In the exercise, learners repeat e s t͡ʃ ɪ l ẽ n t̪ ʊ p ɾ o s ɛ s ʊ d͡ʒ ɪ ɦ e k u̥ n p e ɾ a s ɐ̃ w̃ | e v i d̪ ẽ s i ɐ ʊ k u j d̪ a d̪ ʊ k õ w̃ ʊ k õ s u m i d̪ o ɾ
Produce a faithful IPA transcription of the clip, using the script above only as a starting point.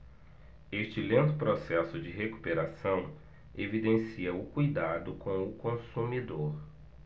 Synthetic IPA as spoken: e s t͡ʃ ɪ l ẽ n t̪ ʊ p ɾ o s ɛ s ʊ d͡ʒ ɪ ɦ e k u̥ p e ɾ a s ɐ̃ w̃ | e v i d̪ ẽ s i ɐ ʊ k u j d̪ a d̪ ʊ k õ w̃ ʊ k õ s u m i d̪ o ɾ

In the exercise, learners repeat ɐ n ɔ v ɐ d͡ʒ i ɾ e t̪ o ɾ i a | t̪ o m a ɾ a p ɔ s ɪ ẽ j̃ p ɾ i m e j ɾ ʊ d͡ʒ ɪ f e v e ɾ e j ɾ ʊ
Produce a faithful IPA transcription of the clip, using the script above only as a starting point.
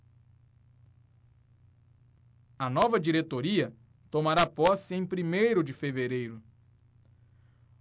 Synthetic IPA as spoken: ɐ n ɔ v ɐ d͡ʒ i ɾ e t̪ o ɾ i ɐ | t̪ o m a ɾ a p ɔ s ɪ ẽ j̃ p ɾ i m e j ɾ ʊ d͡ʒ ɪ f e v e ɾ e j ɾ ʊ

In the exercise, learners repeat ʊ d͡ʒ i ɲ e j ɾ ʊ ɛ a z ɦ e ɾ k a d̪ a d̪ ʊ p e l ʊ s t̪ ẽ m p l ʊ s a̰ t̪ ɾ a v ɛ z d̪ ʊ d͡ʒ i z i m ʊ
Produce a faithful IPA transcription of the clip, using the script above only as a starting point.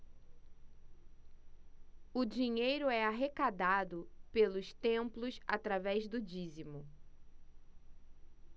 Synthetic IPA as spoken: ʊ d͡ʒ i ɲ e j ɾ ʊ ɛ a ɦ e k a d̪ a d̪ ʊ p e l ʊ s t̪ ẽ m p l ʊ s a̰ t̪ ɾ a v ɛ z d̪ ʊ d͡ʒ i z i m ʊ

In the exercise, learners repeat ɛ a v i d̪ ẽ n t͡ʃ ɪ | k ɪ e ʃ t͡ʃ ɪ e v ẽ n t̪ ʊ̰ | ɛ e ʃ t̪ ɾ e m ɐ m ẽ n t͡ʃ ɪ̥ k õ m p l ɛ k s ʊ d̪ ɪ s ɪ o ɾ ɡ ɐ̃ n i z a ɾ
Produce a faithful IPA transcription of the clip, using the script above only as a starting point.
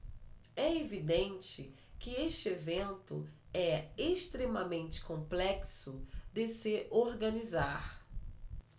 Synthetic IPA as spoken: ɛ e v i d̪ ẽ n t͡ʃ ɪ | k ɪ e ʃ t͡ʃ ɪ e v ẽ n t̪ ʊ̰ | ɛ e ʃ t̪ ɾ e m ɐ m ẽ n t͡ʃ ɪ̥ k õ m p l ɛ k s ʊ d̪ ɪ s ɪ o ɾ ɡ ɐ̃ n i z a ɾ

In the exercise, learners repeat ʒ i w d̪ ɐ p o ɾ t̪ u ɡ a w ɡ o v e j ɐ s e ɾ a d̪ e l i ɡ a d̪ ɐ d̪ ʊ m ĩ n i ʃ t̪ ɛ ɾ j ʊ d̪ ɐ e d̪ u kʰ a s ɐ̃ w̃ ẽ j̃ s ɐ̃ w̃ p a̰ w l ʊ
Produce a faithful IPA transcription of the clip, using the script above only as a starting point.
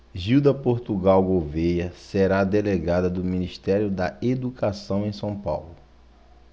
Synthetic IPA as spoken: ʒ i w d̪ ɐ p o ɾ t̪ u ɡ a w ɡ o v e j ɐ s e ɾ a d̪ e l e ɡ a d̪ ɐ d̪ ʊ m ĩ n i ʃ t̪ ɛ ɾ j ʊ d̪ ɐ e d̪ u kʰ a s ɐ̃ w̃ ẽ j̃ s ɐ̃ w̃ p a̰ w l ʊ

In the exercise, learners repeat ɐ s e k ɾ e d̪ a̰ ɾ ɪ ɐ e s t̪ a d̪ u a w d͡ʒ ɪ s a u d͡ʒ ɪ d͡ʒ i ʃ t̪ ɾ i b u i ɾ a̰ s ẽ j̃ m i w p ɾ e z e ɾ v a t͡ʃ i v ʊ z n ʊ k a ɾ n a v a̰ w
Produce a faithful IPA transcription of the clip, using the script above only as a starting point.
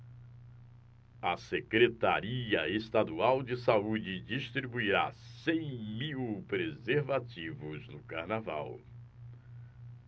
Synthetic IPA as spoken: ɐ s e k ɾ e t̪ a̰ ɾ i ɐ e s t̪ a d̪ u a w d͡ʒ ɪ s a u d͡ʒ ɪ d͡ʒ i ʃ t̪ ɾ i b u i ɾ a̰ s ẽ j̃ m i w p ɾ e z e ɾ v a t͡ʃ i v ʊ z n ʊ k a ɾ n a v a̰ w

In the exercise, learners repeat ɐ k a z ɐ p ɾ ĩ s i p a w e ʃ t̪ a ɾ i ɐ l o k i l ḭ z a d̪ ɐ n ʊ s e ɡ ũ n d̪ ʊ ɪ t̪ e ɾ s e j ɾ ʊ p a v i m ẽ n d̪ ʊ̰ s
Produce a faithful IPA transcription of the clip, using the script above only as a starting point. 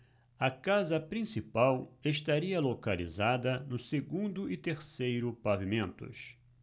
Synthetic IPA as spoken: ɐ k a z ɐ p ɾ ĩ s i p a w e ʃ t̪ a ɾ i ɐ l o k a l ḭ z a d̪ ɐ n ʊ s e ɡ ũ n d̪ ʊ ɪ t̪ e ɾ s e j ɾ ʊ p a v i m ẽ n t̪ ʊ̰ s

